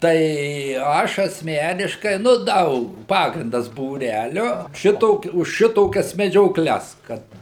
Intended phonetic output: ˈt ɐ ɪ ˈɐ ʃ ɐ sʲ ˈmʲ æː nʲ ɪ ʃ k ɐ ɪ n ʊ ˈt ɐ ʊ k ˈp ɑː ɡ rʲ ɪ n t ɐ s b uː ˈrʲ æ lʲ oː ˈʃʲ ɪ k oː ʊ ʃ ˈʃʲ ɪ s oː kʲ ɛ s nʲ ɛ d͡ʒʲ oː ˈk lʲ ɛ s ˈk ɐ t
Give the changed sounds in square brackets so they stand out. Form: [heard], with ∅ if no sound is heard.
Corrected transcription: ˈt ɐ ɪ ˈɐ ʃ ɐ sʲ ˈmʲ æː nʲ ɪ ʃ k ɐ ɪ n ʊ [ˈd] ɐ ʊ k ˈp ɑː ɡ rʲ ɪ n [d] ɐ s b uː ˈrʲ æ lʲ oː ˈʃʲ ɪ [t] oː ʊ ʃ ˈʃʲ ɪ [t] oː kʲ ɛ s [mʲ] ɛ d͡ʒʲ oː ˈk lʲ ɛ s ˈk ɐ t